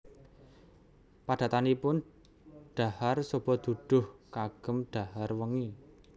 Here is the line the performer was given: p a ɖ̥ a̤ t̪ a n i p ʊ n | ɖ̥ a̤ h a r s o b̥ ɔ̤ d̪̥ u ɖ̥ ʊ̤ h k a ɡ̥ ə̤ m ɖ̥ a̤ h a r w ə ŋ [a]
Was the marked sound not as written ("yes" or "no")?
yes